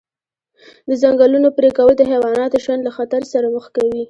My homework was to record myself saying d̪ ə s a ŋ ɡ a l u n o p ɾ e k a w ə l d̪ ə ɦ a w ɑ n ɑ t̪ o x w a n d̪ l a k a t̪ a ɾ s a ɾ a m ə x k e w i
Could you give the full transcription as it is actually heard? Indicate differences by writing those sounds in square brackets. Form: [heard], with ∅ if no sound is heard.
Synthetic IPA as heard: d̪ ə [z] a ŋ ɡ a l u n o p ɾ e k a w ə l d̪ ə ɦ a w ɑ n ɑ t̪ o [ʃ] w a n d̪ l a [x] a t̪ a ɾ s a ɾ a m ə x k [a] w i